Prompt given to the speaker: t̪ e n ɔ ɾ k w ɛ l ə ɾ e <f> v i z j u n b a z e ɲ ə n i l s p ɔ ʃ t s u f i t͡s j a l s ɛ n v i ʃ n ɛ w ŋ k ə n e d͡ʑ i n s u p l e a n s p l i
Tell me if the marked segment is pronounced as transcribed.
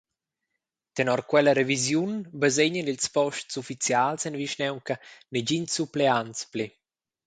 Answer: no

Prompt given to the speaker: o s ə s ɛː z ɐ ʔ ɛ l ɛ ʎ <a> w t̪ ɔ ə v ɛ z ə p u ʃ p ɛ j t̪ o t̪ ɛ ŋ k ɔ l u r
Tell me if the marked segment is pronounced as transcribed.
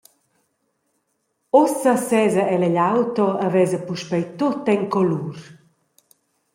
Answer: yes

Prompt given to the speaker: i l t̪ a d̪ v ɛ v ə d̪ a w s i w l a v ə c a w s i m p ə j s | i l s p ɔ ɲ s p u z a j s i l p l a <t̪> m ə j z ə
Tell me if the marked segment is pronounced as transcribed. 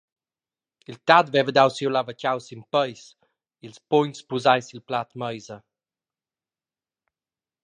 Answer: yes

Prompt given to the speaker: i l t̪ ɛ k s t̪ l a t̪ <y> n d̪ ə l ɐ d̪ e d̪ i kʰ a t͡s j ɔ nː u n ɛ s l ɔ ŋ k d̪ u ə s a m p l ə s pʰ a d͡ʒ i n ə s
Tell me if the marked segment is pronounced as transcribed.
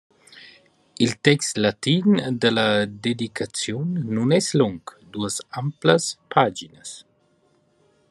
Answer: no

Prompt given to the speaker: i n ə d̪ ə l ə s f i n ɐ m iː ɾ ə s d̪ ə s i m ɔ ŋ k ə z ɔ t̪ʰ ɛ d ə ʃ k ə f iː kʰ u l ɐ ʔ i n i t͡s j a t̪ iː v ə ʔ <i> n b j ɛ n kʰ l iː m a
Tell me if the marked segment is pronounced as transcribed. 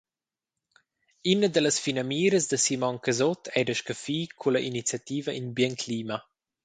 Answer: yes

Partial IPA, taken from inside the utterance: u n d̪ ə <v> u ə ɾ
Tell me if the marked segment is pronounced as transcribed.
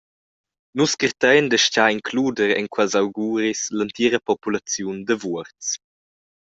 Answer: yes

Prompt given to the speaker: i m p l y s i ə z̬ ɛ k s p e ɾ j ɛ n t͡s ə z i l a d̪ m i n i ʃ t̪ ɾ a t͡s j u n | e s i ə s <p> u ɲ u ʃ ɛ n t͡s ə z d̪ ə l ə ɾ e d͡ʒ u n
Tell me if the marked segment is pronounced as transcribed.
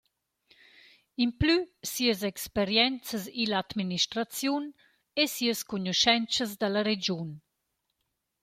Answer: no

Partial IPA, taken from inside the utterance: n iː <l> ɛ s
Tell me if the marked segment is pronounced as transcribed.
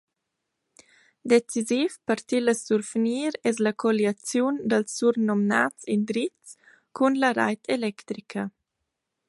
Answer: no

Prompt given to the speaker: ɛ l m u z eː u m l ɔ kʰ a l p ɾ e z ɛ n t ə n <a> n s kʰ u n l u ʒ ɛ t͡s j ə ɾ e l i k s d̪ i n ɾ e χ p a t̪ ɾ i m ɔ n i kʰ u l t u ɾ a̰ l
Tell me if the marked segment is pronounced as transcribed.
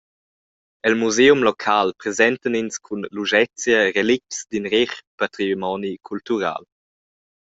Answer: no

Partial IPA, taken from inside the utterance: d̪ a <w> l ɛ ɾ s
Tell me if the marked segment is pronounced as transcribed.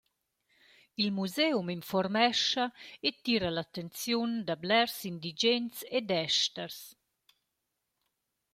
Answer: no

